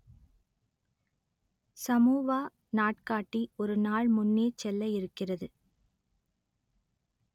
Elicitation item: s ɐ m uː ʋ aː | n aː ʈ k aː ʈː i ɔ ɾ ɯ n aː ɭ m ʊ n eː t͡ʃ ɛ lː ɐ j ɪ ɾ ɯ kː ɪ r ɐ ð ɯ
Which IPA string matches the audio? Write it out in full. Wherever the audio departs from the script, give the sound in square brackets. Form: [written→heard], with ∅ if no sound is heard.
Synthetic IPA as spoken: s ɐ m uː ʋ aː | n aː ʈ k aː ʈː i ɔ ɾ ɯ n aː ɭ m ʊ [n→nː] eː t͡ʃ ɛ lː ɐ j ɪ ɾ ɯ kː ɪ r ɐ ð ɯ